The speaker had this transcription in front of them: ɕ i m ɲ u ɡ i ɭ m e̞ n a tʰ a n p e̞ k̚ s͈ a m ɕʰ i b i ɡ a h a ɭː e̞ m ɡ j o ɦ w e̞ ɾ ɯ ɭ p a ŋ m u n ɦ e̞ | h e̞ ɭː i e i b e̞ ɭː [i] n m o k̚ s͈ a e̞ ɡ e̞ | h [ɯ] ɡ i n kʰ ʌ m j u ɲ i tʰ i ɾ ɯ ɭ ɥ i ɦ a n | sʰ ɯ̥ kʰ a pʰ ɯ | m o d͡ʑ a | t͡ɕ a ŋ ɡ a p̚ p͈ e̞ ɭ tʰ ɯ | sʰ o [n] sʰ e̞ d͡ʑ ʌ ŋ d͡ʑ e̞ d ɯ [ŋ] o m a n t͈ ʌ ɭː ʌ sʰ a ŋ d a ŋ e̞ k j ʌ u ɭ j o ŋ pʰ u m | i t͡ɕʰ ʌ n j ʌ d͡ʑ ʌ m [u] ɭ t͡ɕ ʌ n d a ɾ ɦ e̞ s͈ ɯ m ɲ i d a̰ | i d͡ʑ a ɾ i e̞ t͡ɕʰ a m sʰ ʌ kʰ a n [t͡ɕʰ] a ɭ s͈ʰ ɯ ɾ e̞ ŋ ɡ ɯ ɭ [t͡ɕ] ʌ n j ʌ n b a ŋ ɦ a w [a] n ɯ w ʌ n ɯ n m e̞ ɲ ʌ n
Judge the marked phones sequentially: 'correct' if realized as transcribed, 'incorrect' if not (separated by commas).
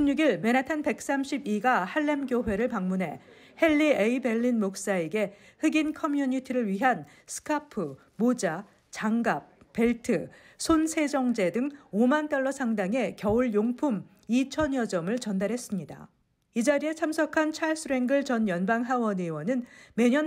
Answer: correct, correct, correct, correct, incorrect, correct, correct, incorrect